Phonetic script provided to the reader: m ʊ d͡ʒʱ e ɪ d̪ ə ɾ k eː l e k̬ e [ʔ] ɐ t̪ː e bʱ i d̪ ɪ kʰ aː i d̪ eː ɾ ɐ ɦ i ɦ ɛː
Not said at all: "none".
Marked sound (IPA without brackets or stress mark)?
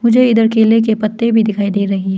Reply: p